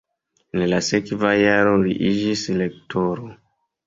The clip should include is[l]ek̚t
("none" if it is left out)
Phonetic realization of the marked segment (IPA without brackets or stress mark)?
l